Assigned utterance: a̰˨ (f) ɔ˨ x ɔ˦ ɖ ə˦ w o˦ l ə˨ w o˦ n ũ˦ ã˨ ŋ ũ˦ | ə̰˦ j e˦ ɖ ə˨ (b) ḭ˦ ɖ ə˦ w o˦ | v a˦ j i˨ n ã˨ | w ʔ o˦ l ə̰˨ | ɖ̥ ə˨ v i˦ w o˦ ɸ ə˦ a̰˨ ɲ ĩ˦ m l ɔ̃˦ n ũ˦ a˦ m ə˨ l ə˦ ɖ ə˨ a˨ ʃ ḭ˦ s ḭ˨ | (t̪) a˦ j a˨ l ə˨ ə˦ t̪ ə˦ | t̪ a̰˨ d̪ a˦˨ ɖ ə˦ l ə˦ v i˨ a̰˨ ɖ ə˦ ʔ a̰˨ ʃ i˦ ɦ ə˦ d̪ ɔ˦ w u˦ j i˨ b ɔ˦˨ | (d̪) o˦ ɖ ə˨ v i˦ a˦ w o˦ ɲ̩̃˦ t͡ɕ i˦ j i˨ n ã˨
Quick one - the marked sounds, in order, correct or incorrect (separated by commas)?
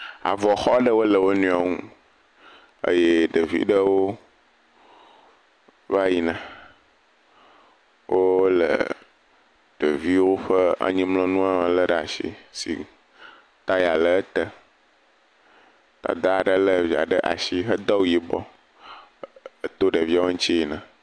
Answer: incorrect, incorrect, correct, incorrect